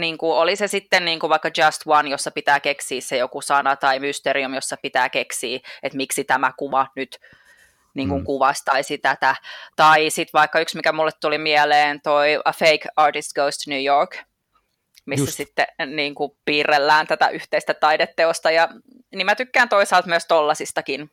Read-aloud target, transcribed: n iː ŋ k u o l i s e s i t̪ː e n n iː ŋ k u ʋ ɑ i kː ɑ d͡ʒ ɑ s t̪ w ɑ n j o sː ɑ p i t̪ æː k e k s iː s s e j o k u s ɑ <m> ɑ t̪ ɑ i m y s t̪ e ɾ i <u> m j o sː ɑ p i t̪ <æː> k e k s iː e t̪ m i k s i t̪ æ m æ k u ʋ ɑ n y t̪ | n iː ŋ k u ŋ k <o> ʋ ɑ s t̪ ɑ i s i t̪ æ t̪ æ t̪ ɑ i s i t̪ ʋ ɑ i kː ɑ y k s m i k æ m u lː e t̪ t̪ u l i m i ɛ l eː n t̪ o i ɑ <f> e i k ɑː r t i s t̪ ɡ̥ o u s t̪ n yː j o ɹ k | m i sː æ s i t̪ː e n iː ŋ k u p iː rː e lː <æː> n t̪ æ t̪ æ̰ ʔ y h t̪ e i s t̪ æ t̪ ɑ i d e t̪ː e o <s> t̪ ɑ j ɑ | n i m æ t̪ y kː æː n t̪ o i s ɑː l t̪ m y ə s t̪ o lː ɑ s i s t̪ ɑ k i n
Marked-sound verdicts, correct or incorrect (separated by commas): incorrect, correct, correct, incorrect, correct, correct, correct